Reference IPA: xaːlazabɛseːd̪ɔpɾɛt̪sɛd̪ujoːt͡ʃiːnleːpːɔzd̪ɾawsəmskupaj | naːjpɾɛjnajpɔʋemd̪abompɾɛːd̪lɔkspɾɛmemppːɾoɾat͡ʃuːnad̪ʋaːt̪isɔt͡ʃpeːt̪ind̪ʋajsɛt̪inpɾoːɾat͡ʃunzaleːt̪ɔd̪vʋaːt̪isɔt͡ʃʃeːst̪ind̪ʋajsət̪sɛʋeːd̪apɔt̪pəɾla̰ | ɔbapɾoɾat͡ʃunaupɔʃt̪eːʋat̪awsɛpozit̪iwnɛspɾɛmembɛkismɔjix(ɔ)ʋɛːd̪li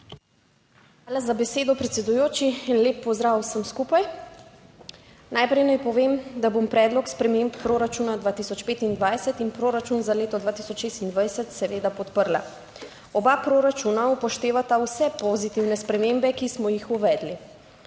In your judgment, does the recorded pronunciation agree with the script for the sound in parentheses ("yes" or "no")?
no